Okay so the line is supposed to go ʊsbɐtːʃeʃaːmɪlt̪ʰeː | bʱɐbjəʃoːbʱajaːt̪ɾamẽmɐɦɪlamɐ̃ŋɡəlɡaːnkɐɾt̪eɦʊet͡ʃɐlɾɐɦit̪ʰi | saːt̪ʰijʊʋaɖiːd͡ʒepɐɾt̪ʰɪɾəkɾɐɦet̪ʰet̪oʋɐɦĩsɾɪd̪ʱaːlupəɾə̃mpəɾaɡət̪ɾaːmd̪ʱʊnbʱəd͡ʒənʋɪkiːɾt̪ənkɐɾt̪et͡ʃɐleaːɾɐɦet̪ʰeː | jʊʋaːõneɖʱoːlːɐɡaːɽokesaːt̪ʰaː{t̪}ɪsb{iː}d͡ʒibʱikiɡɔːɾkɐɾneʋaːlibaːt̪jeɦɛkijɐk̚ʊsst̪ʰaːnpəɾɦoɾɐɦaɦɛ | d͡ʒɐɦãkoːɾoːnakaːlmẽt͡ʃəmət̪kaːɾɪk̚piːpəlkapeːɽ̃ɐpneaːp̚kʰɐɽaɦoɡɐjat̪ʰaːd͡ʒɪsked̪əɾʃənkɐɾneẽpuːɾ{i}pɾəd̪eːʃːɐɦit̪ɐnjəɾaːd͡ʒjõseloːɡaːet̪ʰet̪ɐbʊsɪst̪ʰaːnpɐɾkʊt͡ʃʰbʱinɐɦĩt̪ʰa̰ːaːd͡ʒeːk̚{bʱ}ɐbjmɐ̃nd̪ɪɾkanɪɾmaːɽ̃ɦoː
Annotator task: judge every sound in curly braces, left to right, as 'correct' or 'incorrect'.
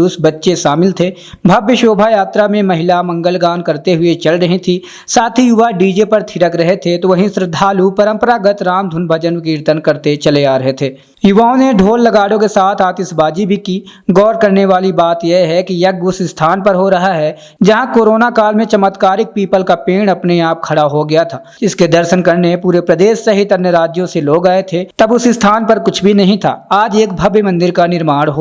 correct, incorrect, incorrect, correct

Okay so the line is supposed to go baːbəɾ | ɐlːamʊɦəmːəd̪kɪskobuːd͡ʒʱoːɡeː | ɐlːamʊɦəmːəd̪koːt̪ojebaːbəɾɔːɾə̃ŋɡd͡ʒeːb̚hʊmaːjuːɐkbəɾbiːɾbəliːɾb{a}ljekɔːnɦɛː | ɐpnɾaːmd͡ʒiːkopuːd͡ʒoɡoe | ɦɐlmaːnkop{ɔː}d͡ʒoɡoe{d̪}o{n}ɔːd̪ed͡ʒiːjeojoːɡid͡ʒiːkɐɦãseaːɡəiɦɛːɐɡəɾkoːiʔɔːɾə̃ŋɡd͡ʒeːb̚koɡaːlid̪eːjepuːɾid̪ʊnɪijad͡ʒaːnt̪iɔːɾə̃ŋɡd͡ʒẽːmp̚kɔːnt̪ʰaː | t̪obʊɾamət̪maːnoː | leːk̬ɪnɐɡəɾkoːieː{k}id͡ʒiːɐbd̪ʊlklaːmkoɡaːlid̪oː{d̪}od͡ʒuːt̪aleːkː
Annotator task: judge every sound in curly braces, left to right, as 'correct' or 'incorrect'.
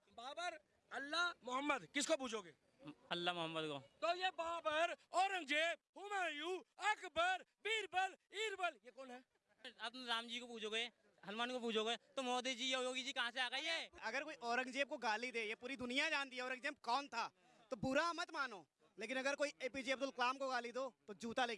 incorrect, incorrect, incorrect, incorrect, incorrect, incorrect

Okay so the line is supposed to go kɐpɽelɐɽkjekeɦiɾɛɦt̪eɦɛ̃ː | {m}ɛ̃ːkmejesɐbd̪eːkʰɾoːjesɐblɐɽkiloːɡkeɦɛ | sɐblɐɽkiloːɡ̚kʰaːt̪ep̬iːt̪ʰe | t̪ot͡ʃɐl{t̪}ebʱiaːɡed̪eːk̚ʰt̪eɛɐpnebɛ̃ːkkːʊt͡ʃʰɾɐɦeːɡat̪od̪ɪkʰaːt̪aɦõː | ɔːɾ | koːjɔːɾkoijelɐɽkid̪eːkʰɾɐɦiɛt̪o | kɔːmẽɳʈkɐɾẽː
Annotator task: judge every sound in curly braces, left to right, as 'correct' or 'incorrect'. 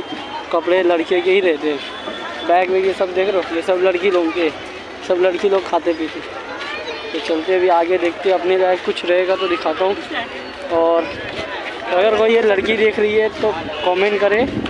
incorrect, correct

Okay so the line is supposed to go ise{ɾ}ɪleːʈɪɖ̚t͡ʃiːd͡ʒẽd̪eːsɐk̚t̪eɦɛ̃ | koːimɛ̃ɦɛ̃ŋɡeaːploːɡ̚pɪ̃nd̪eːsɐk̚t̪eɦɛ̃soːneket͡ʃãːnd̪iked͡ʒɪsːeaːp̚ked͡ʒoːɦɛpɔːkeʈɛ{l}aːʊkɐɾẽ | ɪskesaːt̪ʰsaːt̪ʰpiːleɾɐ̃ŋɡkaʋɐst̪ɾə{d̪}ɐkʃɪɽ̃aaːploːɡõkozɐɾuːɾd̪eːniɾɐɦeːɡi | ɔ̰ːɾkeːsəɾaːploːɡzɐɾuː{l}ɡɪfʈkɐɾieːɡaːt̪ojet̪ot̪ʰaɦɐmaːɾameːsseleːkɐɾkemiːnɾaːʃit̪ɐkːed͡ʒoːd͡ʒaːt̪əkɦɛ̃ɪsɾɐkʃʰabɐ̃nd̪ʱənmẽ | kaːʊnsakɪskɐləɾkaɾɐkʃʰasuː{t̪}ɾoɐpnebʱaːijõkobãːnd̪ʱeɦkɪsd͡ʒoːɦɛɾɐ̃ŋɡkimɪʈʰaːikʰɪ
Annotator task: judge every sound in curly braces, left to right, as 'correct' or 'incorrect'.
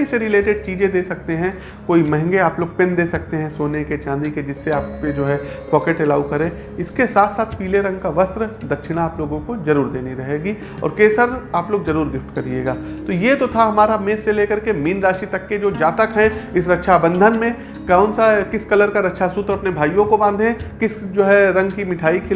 correct, correct, correct, incorrect, correct

